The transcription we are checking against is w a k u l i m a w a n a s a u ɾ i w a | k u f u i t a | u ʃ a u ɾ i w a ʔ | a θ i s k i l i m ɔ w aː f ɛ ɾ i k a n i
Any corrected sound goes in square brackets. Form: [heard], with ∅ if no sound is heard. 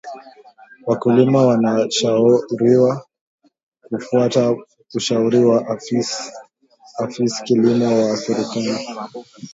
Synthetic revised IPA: w a k u l i m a w a n a [ʃ] a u ɾ i w a | k u f u [a] t a | u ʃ a u ɾ i w a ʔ | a [f] i s k i l i m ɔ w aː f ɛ ɾ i k a n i

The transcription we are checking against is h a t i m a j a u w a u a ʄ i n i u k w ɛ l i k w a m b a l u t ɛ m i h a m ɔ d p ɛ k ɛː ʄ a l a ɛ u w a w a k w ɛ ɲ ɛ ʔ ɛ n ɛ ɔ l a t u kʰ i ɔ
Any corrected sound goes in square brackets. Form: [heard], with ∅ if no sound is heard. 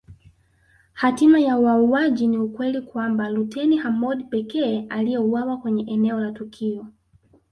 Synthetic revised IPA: h a t i m a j a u w a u a ʄ i n i u k w ɛ l i k w a m b a l u t ɛ [n] i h a m ɔ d p ɛ k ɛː [∅] a l [i] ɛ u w a w a k w ɛ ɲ ɛ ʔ ɛ n ɛ ɔ l a t u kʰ i ɔ

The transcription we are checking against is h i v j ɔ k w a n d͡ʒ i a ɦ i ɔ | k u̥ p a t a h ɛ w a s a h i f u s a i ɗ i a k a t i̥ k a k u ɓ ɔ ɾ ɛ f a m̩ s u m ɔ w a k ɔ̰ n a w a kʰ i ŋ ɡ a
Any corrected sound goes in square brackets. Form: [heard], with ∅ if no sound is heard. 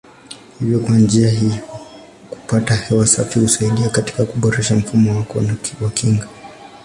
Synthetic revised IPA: h i v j ɔ k w a n d͡ʒ i a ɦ i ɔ | k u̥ p a t a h ɛ w a s a [f] i [h] u s a i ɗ i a k a t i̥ k a k u ɓ ɔ ɾ ɛ [ʃ] a m̩ [f] u m ɔ w a k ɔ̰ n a w a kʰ i ŋ ɡ a

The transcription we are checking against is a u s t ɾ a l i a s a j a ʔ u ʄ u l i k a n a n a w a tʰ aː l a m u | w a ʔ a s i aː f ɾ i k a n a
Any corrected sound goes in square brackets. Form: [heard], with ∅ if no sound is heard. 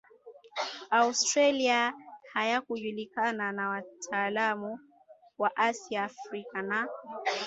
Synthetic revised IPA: a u s t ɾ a l i a [h] a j a [k] u ʄ u l i k a n a n a w a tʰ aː l a m u | w a ʔ a s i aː f ɾ i k a n a

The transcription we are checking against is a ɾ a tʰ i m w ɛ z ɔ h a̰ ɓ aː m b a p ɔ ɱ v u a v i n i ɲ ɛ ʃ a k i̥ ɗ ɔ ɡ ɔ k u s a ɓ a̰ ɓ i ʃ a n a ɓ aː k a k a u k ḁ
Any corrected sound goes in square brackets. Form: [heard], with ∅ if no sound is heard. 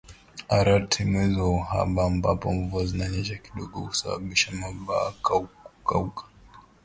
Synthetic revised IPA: a ɾ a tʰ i m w ɛ z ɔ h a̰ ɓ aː m b a p ɔ ɱ v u a [z] i n [a] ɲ ɛ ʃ a k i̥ ɗ ɔ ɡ ɔ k u s a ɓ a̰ ɓ i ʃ a [m] a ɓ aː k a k a u k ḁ

